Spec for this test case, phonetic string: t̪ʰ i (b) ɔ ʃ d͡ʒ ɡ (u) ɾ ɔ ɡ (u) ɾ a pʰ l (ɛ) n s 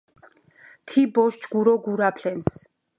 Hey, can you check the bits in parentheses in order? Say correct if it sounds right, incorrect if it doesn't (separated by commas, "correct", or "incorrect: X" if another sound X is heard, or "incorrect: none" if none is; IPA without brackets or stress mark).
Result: correct, correct, correct, correct